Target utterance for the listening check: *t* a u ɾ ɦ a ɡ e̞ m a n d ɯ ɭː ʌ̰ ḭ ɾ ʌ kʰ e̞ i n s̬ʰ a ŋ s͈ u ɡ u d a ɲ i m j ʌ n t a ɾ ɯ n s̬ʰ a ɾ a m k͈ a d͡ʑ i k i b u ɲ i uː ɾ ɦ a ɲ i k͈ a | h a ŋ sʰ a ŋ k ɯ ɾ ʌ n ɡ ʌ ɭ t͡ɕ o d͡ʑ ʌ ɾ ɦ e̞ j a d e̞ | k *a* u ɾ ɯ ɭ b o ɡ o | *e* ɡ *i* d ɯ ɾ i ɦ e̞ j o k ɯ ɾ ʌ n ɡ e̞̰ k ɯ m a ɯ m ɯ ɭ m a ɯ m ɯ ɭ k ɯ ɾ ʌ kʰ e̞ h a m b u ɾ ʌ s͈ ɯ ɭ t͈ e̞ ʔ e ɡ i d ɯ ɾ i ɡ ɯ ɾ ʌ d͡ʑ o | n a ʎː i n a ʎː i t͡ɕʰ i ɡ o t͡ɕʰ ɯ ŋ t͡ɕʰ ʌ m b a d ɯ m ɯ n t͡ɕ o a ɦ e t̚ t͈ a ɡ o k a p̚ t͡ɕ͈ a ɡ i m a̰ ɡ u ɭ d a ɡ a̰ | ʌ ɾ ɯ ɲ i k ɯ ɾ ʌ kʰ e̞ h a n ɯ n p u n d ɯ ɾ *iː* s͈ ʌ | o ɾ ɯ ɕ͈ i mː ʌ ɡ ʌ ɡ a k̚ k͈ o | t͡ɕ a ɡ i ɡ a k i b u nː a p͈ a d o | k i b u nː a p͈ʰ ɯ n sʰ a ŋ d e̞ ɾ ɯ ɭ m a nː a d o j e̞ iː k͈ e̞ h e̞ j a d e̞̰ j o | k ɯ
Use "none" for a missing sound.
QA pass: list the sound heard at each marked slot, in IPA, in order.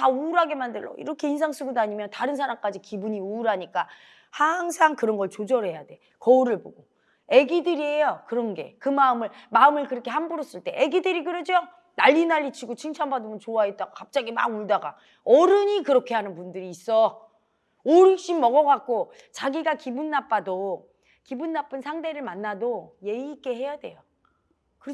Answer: t, ʌ, e, i, iː

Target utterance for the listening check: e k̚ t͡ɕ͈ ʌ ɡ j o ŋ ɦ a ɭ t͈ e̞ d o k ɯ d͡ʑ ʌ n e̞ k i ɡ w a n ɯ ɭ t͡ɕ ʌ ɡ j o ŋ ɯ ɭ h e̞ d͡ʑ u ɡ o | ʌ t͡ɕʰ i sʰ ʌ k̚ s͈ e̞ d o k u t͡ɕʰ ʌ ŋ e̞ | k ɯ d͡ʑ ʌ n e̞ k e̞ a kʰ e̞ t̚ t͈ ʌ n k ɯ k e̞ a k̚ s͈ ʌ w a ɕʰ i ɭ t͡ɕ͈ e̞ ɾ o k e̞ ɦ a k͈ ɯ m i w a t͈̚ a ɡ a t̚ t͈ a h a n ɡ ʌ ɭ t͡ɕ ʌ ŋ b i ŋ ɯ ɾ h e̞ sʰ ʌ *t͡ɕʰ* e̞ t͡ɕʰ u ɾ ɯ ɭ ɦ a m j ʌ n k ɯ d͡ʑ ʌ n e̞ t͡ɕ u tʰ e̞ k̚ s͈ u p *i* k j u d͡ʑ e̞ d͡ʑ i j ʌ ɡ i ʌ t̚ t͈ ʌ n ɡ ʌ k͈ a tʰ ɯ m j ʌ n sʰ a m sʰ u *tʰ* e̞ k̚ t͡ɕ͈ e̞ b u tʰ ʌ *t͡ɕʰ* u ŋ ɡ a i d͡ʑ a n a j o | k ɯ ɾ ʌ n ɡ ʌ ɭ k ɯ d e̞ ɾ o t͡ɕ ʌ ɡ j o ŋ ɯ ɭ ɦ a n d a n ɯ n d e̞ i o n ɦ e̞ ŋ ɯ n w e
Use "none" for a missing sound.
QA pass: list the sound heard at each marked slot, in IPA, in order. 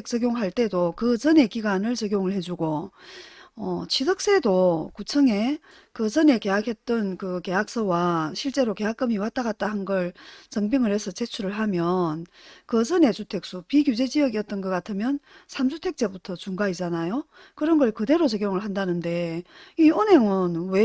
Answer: t͡ɕ, i, tʰ, t͡ɕ

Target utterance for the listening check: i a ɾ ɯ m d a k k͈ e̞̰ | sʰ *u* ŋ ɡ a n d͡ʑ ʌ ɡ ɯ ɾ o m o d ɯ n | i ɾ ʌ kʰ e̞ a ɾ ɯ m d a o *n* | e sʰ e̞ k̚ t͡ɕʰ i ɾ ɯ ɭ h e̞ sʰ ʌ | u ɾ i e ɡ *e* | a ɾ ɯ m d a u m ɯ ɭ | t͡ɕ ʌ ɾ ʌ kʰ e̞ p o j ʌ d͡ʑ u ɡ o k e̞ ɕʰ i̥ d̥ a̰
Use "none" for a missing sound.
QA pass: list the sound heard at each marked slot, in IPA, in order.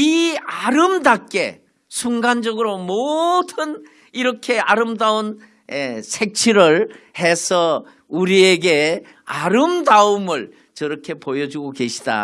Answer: u, n, e

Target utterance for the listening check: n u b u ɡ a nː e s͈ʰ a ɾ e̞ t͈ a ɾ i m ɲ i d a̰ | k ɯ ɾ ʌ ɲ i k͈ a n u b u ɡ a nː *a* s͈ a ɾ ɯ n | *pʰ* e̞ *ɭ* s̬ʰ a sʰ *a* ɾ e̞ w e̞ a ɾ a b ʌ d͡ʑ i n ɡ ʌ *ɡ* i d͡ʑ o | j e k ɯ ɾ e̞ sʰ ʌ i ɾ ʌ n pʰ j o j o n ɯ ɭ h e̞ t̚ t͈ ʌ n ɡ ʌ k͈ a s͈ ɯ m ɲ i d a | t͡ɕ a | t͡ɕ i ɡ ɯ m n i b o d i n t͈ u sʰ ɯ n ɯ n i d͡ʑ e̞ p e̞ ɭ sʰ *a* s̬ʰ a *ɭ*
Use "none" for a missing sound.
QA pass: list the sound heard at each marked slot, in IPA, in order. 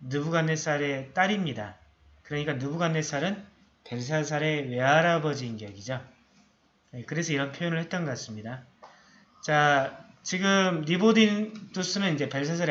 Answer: e, p, ɭ, a, ɡ, a, ɾ

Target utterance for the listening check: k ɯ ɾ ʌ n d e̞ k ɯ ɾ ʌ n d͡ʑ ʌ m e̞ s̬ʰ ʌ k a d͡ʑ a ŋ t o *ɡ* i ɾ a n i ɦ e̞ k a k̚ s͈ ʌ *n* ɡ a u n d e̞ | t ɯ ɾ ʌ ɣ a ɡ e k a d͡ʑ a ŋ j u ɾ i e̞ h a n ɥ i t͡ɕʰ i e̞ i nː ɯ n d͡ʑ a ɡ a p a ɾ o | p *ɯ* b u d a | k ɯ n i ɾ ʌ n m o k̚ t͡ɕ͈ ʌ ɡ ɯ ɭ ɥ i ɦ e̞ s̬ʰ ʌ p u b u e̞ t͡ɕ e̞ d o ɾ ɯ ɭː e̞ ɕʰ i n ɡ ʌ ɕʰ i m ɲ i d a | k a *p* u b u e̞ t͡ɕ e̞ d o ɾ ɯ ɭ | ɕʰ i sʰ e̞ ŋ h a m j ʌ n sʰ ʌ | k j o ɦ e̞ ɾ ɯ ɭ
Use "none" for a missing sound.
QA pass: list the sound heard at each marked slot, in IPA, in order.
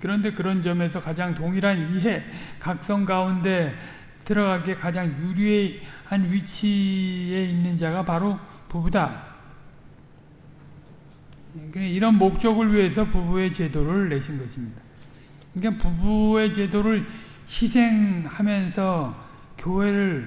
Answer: ŋ, ŋ, u, p

